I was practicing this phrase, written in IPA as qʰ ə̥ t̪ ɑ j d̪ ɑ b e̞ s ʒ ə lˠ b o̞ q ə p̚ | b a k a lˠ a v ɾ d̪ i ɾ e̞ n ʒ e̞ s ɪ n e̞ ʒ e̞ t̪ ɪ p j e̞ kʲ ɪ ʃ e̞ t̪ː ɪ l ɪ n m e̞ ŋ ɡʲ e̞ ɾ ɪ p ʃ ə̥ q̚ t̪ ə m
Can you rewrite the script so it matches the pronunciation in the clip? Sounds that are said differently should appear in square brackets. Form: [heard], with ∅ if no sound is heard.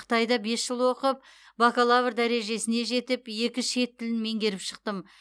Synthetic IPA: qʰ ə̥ t̪ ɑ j d̪ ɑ b e̞ s ʒ ə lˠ [w] o̞ q ə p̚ | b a k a lˠ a v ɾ d̪ [æ] ɾ e̞ [∅] ʒ e̞ s ɪ n e̞ ʒ e̞ t̪ ɪ p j e̞ kʲ ɪ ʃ e̞ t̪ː ɪ l ɪ n m e̞ ŋ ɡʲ e̞ ɾ ɪ p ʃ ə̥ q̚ t̪ ə m